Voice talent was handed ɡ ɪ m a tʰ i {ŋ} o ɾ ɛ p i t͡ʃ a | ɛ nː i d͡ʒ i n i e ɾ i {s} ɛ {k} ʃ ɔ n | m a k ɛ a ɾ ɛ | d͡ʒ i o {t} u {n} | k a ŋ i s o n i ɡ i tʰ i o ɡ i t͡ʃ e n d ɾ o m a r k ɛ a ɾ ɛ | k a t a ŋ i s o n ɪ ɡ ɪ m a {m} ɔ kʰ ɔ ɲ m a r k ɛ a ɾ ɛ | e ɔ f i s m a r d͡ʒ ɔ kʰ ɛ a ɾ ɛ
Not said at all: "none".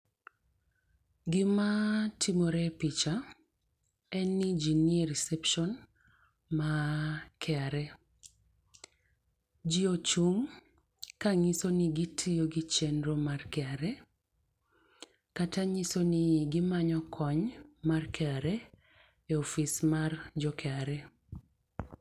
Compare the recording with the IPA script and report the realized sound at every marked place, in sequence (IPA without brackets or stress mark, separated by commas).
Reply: m, s, p, t͡ʃ, ŋ, ɲ